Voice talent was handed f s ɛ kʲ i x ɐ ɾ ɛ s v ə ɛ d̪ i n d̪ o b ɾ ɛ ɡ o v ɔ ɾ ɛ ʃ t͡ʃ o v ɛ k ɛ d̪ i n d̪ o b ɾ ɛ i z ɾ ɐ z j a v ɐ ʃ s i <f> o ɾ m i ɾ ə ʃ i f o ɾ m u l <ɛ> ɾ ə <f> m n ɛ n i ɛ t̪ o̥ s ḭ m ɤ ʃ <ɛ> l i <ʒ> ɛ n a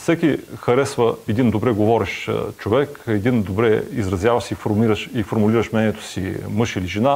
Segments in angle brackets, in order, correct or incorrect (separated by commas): correct, incorrect, incorrect, incorrect, correct